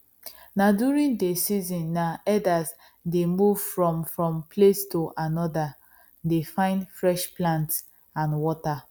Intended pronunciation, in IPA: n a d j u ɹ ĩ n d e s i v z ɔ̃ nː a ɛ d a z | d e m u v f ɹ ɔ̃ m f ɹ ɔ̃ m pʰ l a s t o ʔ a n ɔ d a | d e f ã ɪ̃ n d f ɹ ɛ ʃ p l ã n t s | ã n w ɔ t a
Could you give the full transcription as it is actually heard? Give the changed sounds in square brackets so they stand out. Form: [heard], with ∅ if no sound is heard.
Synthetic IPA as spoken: n a d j u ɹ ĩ n d e s i [∅] z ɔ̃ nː a ɛ d a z | d e m u v f ɹ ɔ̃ m f ɹ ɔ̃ m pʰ l [e] s t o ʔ a n ɔ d a | d e f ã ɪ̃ n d f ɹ ɛ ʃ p l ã n t s | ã n w ɔ t a